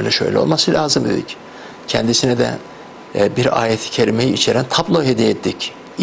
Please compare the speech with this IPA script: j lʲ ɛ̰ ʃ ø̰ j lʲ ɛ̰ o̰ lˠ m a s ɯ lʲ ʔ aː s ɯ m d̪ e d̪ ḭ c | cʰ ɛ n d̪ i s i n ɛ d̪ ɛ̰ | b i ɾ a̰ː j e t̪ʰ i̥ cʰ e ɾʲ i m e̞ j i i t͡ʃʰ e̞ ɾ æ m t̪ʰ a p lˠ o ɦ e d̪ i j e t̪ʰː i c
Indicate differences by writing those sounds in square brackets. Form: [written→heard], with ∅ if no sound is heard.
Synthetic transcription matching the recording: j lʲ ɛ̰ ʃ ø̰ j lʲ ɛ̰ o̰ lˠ m a s ɯ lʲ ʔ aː [s→z] ɯ m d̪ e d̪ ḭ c | cʰ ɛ n d̪ i s i n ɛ d̪ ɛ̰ | b i ɾ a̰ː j e t̪ʰ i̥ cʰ e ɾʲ i m e̞ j i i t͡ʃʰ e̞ ɾ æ [m→n] t̪ʰ a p lˠ o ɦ e d̪ i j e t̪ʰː i c